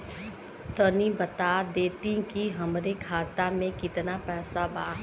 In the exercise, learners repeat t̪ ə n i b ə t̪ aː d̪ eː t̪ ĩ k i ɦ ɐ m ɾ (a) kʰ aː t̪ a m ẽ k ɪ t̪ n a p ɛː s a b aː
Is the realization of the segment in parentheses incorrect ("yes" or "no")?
yes